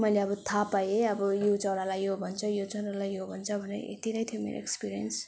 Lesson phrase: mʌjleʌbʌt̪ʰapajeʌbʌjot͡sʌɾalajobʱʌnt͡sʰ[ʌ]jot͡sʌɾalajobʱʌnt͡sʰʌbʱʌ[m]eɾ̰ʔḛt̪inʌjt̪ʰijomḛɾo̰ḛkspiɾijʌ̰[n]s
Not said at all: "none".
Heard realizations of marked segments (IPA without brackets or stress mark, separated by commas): ʌ, n, n